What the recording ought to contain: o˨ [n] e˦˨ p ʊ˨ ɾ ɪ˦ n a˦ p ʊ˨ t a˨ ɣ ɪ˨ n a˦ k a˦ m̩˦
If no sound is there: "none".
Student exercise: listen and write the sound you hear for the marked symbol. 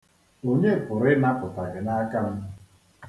ɲ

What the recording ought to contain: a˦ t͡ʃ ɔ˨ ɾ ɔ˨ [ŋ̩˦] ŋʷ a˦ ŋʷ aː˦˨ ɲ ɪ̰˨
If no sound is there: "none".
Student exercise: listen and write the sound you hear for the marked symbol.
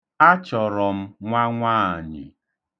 m̩˦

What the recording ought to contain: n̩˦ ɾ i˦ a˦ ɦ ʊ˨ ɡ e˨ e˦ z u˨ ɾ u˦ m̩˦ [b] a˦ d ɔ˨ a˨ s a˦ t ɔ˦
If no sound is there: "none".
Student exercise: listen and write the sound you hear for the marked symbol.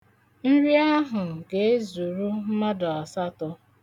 m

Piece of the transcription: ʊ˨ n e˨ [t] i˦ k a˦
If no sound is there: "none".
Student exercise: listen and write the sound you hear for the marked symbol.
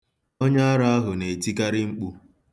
t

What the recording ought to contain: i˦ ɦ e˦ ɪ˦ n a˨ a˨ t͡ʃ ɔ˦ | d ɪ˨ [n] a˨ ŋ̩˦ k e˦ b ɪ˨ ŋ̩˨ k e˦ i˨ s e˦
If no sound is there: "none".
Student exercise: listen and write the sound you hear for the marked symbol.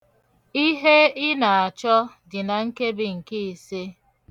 n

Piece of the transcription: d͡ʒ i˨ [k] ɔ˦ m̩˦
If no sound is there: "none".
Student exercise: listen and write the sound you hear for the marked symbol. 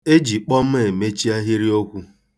k͡p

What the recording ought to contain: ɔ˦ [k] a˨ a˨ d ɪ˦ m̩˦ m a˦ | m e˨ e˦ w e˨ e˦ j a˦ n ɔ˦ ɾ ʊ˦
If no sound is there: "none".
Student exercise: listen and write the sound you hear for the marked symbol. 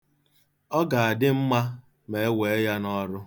ɡ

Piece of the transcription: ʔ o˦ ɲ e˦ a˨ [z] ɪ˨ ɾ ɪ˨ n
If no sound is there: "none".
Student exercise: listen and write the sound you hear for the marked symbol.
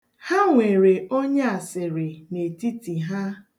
s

